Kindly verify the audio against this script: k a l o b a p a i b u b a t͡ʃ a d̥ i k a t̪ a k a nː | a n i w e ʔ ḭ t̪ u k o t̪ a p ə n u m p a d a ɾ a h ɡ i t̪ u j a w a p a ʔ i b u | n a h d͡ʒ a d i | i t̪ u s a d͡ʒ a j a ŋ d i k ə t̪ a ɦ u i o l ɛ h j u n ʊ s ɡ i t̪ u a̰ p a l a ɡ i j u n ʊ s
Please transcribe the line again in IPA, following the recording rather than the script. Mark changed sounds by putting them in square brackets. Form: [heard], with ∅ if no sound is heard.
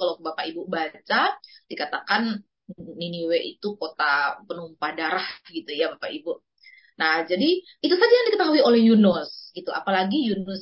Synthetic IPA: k a l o b a p a i b u b a t͡ʃ a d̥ i k a t̪ a k a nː | [i] n i w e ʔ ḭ t̪ u k o t̪ a p ə n u m p a d a ɾ a h ɡ i t̪ u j a [b] a p a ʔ i b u | n a h d͡ʒ a d i | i t̪ u s a d͡ʒ a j a ŋ d i k ə t̪ a ɦ u i o l ɛ h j u n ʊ s ɡ i t̪ u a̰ p a l a ɡ i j u n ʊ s